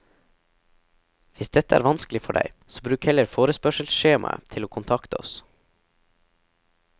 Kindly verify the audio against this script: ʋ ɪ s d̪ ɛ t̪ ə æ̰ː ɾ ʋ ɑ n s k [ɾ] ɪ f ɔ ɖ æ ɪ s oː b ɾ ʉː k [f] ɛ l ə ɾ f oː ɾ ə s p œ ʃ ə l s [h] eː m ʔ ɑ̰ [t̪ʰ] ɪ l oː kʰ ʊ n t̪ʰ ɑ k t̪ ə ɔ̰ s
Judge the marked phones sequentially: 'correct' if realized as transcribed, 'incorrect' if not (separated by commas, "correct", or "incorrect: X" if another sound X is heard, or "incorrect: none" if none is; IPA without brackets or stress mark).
incorrect: l, incorrect: h, incorrect: ʃ, correct